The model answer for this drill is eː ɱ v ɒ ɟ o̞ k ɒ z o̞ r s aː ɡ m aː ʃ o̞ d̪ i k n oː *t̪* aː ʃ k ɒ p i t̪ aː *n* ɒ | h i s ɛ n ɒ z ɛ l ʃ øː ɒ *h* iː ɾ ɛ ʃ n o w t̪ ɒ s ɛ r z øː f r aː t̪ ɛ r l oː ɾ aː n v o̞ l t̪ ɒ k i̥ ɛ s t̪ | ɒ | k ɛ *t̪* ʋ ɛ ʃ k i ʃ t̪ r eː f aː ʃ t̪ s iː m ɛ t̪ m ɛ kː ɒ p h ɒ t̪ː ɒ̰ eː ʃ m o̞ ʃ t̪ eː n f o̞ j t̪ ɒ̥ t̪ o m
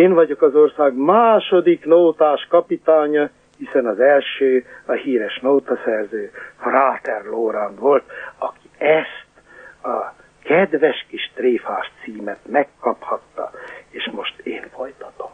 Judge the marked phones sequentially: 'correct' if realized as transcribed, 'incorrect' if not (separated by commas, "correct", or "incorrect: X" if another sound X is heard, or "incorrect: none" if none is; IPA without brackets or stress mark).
correct, incorrect: ɲ, correct, incorrect: d̪